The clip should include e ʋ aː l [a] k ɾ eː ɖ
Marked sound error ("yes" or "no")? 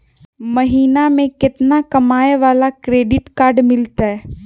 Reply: no